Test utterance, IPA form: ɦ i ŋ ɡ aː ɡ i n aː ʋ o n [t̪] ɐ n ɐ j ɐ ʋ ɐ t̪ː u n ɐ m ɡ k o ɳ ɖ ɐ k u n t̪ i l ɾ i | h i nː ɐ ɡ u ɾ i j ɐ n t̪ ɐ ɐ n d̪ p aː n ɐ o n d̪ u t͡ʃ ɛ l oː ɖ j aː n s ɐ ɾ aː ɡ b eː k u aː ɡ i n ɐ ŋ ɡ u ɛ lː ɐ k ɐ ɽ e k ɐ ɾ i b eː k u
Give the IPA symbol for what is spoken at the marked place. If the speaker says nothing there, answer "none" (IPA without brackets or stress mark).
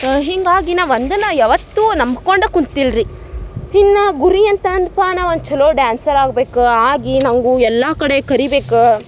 d̪